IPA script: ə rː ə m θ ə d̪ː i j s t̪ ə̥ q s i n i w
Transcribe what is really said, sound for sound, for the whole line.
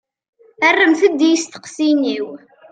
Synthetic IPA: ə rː ə m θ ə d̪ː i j s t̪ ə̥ q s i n i w

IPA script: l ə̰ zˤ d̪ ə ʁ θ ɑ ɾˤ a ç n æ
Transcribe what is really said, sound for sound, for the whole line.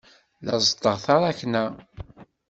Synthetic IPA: l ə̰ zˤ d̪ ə ʁ θ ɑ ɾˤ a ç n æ

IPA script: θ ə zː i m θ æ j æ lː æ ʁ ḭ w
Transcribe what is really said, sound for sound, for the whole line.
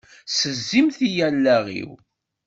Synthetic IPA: s ə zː i m θ i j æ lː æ ʁ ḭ w

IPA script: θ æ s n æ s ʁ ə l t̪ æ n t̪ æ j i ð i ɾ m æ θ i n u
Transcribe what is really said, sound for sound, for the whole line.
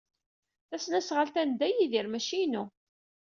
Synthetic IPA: θ æ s n æ s ʁ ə l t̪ æ n d̪ æ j i ð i ɾ m æ ʃ i n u

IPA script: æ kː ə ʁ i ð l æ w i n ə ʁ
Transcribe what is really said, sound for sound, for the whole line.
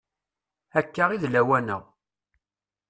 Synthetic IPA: æ kː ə ʁ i ð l æ w æ n ə ʁ

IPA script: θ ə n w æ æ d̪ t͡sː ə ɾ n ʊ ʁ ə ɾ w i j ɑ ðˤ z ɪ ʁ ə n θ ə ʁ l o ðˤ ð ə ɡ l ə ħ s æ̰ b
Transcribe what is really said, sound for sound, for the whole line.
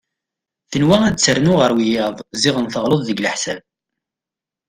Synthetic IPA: θ ə n w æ æ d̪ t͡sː ə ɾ n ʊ ʁ ə ɾ w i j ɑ ðˤ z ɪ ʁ ə n θ ə ʁ l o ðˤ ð ə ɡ l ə ħ s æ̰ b

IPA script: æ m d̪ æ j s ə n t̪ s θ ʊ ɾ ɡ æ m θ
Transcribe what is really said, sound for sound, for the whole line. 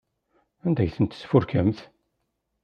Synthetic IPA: æ n d̪ æ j θ ə n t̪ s f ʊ ɾ k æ m θ

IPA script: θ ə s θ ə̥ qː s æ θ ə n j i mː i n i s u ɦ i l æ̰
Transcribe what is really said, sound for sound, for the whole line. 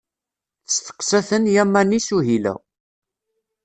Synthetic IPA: θ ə s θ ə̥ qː s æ θ ə n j æ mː æ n i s u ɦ i l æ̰

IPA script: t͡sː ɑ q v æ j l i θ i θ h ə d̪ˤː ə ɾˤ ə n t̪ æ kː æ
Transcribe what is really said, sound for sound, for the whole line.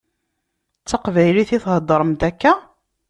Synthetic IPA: t͡sː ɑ q v æ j l i θ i θ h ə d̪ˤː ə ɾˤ ə m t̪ æ kː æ

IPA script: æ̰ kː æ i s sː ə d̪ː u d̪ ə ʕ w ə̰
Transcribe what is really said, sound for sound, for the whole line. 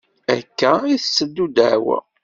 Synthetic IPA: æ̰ kː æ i θ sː ə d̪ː u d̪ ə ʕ w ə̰

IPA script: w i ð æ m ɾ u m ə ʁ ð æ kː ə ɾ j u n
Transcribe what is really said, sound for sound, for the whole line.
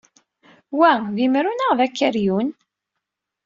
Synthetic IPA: w æ ð i m ɾ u n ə ʁ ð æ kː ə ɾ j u n

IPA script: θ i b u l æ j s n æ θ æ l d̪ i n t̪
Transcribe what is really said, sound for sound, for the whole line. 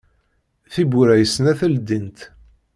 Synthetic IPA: θ i b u ɾ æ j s n æ θ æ l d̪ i n t̪

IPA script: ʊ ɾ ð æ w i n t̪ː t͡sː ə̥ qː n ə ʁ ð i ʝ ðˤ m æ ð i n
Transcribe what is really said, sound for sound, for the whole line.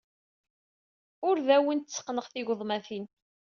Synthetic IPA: ʊ ɾ ð æ w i n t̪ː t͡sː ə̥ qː n ə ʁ θ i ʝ ðˤ m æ θ i n

